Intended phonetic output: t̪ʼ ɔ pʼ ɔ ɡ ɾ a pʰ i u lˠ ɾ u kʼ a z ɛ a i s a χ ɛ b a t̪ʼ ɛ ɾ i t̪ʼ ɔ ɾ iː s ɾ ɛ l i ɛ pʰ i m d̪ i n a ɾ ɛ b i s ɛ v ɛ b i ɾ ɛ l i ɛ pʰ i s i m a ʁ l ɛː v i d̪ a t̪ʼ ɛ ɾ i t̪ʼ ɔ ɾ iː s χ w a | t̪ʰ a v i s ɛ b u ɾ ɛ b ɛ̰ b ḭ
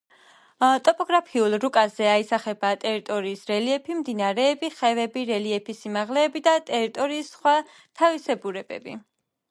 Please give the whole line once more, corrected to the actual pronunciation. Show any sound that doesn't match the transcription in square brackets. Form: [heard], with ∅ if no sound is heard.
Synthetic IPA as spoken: t̪ʼ ɔ pʼ ɔ ɡ ɾ a pʰ i u lˠ ɾ u kʼ a z ɛ a i s a χ ɛ b a t̪ʼ ɛ ɾ i t̪ʼ ɔ ɾ iː s ɾ ɛ l i ɛ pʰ i m d̪ i n a ɾ [ɛː] b i [χ] ɛ v ɛ b i ɾ ɛ l i ɛ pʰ i s i m a ʁ l ɛː [b] i d̪ a t̪ʼ ɛ ɾ i t̪ʼ ɔ ɾ iː s χ w a | t̪ʰ a v i s ɛ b u ɾ ɛ b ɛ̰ b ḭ